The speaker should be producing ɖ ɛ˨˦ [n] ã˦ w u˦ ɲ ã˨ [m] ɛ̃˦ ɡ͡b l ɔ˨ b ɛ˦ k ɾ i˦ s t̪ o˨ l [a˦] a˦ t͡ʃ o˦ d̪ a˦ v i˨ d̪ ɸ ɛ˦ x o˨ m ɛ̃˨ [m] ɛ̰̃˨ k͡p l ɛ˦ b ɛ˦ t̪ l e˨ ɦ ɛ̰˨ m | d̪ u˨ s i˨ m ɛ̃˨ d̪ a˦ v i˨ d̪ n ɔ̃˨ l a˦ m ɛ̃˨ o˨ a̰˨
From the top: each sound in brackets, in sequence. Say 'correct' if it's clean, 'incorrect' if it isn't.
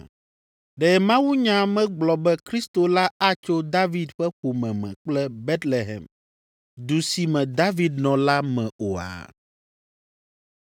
incorrect: m, correct, correct, correct

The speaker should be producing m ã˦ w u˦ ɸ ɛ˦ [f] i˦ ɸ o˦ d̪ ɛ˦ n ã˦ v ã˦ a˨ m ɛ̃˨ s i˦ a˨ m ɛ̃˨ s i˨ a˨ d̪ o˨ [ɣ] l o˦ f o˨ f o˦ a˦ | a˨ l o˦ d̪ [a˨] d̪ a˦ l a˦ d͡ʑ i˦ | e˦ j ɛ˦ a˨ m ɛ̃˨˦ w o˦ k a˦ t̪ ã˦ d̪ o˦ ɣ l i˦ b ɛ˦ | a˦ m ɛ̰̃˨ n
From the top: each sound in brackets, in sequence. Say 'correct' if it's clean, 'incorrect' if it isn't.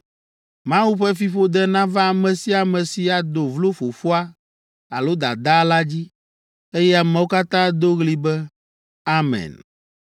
correct, incorrect: v, correct

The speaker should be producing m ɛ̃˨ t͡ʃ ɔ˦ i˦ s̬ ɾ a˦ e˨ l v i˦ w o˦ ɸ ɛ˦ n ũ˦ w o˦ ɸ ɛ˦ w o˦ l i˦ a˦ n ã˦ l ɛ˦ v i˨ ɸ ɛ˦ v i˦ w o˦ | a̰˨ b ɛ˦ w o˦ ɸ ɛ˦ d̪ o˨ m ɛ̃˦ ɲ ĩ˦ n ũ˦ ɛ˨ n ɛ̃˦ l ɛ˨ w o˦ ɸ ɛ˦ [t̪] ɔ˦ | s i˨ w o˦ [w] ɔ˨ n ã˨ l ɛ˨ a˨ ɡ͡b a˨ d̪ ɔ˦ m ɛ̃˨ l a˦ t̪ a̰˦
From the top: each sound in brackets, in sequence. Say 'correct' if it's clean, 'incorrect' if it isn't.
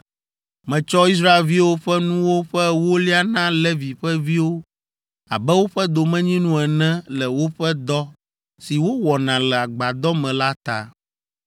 incorrect: d̪, correct

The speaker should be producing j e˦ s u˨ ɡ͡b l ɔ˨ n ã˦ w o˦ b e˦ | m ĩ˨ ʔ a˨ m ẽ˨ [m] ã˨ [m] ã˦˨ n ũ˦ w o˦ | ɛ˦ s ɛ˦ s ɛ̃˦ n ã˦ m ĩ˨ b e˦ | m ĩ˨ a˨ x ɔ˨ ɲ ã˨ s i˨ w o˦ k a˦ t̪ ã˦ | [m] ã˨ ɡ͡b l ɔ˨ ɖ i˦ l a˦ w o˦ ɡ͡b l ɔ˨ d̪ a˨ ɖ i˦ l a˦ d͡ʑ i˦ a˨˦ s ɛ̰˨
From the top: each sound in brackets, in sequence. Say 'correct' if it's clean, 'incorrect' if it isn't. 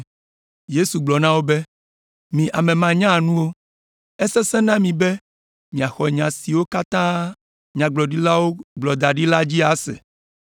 correct, incorrect: ɲ, incorrect: ɲ

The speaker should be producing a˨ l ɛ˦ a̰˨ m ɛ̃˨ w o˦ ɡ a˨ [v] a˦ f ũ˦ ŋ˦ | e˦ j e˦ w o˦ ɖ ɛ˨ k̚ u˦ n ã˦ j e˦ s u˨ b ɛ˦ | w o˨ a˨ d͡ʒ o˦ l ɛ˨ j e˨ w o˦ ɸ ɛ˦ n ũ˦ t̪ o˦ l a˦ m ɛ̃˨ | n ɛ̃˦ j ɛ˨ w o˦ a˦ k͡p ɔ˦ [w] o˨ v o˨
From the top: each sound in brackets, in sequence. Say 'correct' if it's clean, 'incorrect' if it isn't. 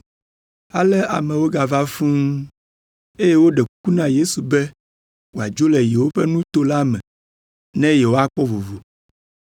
correct, incorrect: v

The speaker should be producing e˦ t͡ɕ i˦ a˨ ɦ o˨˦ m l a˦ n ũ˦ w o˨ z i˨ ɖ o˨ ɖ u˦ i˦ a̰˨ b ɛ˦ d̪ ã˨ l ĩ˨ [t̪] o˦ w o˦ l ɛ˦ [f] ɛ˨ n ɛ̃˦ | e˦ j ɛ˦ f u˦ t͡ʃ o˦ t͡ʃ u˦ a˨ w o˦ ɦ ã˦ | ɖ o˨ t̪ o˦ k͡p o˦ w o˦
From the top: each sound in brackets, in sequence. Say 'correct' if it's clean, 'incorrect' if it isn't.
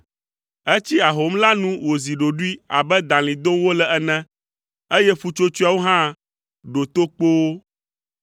incorrect: d̪, incorrect: none

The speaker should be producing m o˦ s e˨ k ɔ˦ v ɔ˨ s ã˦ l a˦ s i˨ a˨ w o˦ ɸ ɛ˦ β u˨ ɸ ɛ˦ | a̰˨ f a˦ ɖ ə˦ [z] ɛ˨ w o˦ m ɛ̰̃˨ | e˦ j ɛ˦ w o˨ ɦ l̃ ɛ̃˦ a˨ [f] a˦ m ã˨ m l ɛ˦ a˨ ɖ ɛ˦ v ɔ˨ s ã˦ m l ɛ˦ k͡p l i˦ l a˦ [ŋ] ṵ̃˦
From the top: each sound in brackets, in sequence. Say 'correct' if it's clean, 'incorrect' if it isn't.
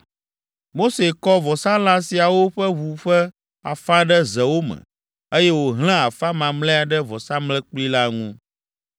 correct, correct, correct

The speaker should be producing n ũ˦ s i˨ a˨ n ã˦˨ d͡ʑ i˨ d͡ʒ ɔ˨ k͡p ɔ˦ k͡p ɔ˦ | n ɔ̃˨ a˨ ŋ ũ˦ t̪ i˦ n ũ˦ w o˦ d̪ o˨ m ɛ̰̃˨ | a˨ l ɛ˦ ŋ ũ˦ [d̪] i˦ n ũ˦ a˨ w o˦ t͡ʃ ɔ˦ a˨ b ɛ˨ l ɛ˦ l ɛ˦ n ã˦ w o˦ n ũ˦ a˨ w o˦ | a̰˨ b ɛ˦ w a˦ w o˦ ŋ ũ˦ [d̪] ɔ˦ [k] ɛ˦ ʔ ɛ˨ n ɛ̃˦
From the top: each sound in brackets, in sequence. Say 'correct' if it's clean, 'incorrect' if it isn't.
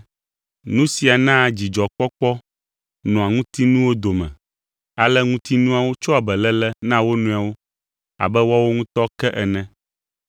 incorrect: t̪, incorrect: t̪, correct

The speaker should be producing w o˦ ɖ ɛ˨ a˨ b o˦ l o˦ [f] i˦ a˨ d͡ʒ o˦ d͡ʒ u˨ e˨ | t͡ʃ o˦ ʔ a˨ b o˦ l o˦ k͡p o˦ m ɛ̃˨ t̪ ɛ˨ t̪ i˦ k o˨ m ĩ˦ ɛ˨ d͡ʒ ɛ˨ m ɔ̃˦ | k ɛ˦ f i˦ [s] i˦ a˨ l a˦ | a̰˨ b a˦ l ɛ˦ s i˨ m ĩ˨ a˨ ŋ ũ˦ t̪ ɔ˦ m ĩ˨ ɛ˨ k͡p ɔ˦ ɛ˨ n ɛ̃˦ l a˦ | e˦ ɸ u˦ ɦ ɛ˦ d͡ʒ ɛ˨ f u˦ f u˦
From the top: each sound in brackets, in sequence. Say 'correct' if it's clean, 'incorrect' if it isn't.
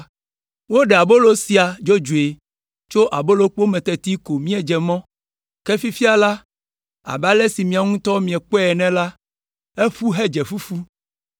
incorrect: s, incorrect: f

